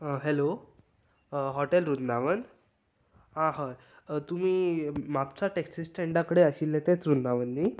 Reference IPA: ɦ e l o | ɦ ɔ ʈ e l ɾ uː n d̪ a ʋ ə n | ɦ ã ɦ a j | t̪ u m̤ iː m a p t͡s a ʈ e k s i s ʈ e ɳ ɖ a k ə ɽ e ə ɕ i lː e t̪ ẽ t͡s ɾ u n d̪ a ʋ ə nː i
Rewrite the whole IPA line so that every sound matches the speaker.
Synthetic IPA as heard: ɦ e l o | ɦ ɔ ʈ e l ɾ u n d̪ a ʋ ə n | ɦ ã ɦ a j | t̪ u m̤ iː m a p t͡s a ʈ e k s i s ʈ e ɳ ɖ a k ə ɽ e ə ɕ i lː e t̪ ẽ t͡s ɾ u n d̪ a ʋ ə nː i